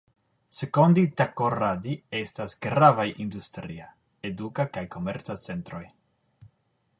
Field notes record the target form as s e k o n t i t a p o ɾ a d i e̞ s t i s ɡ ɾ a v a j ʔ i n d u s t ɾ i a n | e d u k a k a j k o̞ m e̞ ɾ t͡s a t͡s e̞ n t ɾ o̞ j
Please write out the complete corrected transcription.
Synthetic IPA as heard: s e k o n d i t a k o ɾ a d i e̞ s t a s ɡ ɾ a v a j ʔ i n d u s t ɾ i a | e d u k a k a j k o̞ m e̞ ɾ t͡s a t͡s e̞ n t ɾ o̞ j

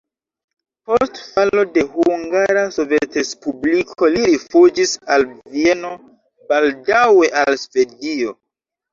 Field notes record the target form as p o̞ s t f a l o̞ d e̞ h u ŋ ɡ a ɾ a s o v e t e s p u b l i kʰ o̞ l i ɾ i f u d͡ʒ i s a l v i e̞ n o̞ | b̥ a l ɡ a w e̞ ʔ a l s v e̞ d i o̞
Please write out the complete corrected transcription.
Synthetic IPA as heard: p o̞ s t f a l o̞ d e̞ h u ŋ ɡ a ɾ a s o v e t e s p u b l i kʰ o̞ l i ɾ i f u d͡ʒ i s a l v i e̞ n o̞ | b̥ a l d a w e̞ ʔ a l s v e̞ d i o̞

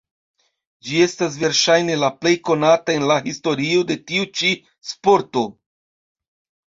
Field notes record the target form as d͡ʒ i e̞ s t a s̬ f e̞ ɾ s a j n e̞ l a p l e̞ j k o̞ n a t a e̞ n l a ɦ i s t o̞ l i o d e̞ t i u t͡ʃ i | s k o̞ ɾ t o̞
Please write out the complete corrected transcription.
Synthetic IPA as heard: d͡ʒ i e̞ s t a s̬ v e̞ ɾ ʃ a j n e̞ l a p l e̞ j k o̞ n a t a e̞ n l a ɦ i s t o̞ ɾ i o d e̞ t i u t͡ʃ i | s p o̞ ɾ t o̞

